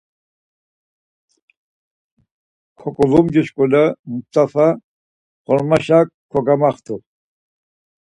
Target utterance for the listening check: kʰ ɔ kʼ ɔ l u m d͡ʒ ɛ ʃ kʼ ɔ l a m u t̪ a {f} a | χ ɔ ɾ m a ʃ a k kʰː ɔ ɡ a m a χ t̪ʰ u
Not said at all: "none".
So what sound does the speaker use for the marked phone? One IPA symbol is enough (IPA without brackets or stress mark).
f